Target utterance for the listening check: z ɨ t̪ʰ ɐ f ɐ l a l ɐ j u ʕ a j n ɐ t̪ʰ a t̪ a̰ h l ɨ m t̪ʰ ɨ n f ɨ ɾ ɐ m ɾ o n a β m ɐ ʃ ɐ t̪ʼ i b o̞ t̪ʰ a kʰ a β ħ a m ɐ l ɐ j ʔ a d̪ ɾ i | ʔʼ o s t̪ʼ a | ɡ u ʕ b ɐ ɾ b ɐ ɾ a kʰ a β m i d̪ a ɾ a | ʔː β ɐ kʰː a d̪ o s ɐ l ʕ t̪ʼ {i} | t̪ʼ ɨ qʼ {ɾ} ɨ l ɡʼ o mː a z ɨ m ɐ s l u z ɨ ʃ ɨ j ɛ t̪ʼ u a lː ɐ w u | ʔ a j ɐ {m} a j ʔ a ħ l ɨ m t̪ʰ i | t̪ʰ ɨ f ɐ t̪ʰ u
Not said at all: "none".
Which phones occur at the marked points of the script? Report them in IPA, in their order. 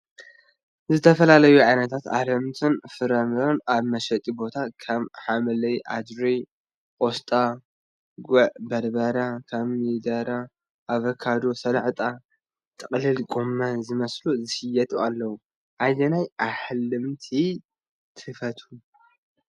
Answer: a, l, n

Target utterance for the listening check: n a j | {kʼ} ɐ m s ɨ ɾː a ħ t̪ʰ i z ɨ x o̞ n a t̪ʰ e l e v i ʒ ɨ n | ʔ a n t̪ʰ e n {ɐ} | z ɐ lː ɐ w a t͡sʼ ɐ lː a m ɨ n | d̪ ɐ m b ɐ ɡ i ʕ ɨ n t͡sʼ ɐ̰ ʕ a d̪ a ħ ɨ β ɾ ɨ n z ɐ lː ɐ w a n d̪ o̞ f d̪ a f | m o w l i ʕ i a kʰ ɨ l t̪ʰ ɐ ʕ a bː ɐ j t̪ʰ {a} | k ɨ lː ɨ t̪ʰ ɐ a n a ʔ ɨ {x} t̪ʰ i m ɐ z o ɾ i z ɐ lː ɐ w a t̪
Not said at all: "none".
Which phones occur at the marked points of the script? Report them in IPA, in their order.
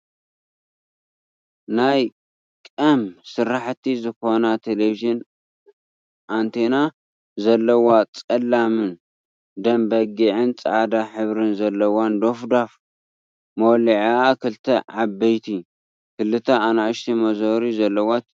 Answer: kʼ, a, i, ʃ

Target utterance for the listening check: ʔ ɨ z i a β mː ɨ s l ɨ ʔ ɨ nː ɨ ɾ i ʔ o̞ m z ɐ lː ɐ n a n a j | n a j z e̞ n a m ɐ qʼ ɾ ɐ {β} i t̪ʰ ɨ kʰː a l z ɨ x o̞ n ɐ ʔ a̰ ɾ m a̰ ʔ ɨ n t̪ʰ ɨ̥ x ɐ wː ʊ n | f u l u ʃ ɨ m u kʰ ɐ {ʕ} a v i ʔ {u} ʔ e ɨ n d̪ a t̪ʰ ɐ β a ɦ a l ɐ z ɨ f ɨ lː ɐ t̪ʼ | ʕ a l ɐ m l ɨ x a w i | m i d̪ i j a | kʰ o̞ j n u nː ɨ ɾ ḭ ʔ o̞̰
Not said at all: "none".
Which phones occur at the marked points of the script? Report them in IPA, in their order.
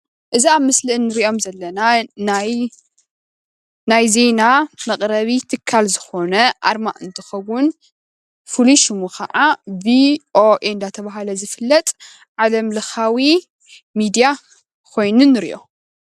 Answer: β, ʕ, o

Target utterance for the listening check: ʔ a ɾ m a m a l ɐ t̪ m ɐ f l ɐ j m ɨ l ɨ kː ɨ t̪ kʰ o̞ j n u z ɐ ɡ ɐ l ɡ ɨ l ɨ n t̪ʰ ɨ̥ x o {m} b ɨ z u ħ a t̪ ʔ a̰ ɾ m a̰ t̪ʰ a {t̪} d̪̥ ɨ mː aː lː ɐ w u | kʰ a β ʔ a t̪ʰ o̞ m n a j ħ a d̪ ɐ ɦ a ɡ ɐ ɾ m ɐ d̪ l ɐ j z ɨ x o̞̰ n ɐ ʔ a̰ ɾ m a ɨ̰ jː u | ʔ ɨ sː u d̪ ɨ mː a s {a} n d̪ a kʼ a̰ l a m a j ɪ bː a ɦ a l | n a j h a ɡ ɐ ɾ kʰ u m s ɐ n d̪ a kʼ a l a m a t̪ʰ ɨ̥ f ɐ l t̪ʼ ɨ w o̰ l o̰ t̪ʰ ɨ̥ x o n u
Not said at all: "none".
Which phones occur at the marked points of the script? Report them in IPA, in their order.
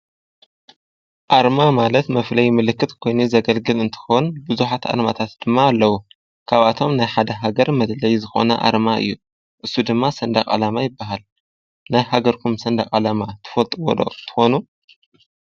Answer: n, t̪, ɐ

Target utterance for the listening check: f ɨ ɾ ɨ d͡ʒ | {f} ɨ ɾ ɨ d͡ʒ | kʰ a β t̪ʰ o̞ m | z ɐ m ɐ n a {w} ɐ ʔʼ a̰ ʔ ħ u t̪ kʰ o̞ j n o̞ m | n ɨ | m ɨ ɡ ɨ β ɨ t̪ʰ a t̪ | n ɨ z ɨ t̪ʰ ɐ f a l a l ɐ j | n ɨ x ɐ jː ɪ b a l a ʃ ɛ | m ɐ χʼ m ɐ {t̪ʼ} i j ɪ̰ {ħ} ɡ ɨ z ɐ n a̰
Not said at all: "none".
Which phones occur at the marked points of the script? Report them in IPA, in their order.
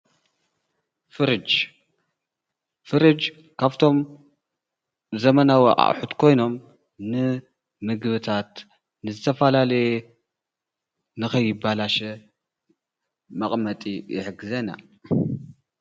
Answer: f, w, t̪ʼ, ħ

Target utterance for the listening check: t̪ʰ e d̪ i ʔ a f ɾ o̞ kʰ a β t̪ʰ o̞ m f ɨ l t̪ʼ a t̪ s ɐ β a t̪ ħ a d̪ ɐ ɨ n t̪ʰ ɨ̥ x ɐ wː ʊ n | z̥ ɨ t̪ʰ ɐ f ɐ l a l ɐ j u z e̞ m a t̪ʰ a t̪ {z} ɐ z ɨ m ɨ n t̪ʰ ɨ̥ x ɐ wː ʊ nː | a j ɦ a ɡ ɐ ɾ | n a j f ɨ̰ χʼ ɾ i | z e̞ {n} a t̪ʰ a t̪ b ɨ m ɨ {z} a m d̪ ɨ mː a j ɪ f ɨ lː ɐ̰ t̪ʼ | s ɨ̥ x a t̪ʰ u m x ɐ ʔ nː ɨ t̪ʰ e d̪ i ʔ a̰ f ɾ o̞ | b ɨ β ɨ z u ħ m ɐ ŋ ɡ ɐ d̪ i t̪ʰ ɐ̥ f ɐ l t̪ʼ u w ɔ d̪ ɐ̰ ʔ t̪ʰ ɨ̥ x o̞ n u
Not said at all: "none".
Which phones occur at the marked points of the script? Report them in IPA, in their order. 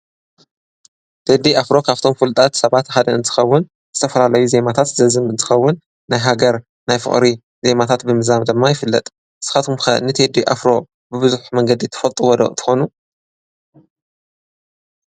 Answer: z, m, z

